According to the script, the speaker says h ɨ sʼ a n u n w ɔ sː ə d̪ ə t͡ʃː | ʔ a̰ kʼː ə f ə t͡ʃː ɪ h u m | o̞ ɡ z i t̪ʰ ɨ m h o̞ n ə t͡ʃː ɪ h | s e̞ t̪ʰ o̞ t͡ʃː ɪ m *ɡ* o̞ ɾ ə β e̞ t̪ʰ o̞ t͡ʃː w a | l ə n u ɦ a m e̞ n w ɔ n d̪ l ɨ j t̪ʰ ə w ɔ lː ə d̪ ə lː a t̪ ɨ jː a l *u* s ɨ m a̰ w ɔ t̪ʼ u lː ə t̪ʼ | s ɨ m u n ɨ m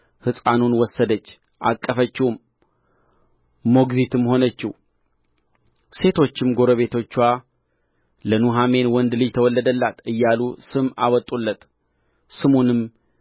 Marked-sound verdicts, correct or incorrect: correct, correct

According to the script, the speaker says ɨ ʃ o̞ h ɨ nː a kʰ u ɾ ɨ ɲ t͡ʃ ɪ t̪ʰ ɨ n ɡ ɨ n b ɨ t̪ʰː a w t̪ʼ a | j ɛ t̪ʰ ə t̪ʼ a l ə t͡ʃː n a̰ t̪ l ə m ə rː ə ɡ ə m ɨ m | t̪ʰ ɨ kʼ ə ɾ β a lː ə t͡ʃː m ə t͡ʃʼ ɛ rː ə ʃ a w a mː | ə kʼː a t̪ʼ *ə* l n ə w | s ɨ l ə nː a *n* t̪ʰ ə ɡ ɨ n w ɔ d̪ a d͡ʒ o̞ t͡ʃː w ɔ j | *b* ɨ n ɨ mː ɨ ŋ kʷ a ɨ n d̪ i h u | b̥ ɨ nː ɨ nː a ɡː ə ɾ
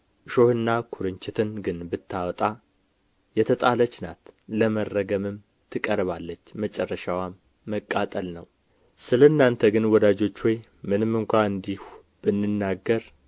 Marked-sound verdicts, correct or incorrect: correct, correct, incorrect: m

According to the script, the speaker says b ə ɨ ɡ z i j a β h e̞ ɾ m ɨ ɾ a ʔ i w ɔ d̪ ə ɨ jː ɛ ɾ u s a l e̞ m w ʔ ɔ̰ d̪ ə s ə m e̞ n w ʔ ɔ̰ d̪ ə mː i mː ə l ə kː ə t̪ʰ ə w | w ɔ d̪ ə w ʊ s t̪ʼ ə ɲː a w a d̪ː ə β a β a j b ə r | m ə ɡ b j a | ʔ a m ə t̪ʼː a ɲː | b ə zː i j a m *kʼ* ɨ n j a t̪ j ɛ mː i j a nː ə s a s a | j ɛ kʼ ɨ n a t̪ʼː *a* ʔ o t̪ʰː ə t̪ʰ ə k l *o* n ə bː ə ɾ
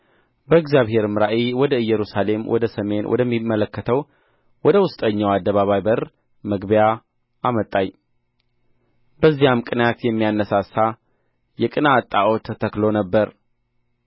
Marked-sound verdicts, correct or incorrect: correct, correct, correct

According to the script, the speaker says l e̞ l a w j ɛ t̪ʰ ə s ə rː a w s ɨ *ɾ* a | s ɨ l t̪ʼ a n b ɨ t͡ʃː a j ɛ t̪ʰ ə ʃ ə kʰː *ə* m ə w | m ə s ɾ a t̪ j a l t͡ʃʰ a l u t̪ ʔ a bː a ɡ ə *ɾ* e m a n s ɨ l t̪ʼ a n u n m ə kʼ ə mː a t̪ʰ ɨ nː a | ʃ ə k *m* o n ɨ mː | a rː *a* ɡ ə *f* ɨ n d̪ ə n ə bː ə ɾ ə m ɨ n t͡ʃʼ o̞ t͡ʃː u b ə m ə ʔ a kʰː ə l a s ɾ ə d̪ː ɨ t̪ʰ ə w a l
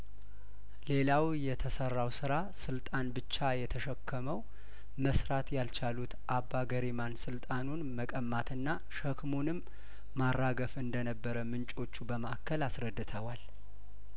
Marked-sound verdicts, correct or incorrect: correct, correct, correct, correct, correct, correct

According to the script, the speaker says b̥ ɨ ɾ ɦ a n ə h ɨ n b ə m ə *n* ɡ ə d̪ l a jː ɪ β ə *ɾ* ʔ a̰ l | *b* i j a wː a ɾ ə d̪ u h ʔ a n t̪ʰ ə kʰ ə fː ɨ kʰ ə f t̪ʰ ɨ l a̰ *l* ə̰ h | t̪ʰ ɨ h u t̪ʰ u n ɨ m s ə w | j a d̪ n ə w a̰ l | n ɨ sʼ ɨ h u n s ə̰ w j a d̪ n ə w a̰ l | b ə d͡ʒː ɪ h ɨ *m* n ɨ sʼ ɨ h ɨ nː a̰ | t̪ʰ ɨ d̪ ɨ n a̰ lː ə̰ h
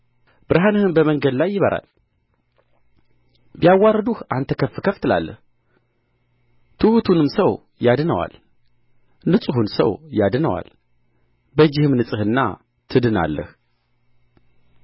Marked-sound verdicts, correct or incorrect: incorrect: ŋ, correct, correct, incorrect: lː, correct

